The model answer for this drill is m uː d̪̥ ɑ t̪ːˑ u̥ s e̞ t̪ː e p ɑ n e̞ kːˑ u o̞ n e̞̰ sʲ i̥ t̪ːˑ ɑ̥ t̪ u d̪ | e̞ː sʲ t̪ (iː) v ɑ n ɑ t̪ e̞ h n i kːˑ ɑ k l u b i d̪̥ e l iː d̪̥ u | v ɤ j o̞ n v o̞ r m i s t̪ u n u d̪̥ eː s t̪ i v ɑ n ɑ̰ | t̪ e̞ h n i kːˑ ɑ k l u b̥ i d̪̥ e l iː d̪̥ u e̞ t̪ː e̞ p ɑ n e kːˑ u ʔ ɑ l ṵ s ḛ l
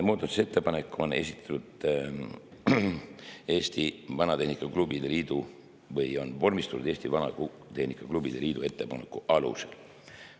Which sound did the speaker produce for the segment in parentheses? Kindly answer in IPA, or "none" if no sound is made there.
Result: i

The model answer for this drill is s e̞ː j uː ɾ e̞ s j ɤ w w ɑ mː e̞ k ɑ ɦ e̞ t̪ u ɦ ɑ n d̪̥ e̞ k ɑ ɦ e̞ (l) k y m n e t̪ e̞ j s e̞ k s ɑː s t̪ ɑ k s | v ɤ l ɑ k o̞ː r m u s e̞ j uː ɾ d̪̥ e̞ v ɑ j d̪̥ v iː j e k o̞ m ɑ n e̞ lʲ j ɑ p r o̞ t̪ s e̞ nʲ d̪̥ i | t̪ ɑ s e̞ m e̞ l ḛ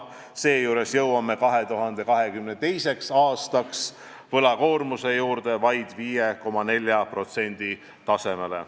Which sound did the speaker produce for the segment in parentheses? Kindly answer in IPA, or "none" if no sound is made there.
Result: none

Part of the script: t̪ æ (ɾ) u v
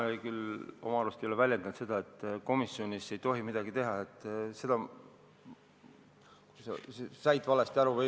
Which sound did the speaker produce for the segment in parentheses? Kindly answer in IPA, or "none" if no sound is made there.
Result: ɾ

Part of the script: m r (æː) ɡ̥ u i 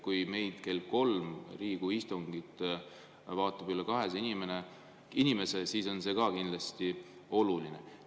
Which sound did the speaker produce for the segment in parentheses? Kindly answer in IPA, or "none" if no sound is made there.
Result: iː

